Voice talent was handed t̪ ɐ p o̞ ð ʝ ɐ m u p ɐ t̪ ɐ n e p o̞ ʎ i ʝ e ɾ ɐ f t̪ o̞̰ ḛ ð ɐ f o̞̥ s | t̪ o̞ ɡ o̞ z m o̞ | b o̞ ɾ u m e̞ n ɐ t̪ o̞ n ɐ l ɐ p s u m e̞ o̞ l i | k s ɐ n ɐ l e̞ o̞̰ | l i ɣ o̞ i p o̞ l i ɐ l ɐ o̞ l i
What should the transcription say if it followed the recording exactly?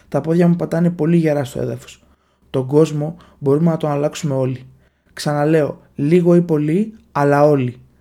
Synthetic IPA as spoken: t̪ ɐ p o̞ ð ʝ ɐ m u p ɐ t̪ ɐ n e p o̞ l i ʝ e ɾ ɐ s t̪ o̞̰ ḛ ð ɐ f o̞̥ s | t̪ o̞ ɡ o̞ z m o̞ | b o̞ ɾ u m e̞ n ɐ t̪ o̞ n ɐ l ɐ k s u m e̞ o̞ l i | k s ɐ n ɐ l e̞ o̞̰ | l i ɣ o̞ i p o̞ l i ɐ l ɐ o̞ l i